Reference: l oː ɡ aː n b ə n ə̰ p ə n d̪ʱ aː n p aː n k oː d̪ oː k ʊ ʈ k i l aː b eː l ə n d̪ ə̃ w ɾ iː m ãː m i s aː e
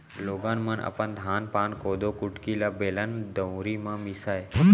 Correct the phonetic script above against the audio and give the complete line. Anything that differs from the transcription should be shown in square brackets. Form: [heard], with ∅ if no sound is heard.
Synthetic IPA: l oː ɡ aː n [m] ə n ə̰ p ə n d̪ʱ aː n p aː n k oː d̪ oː k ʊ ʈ k i l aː b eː l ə n d̪ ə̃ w ɾ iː m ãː m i s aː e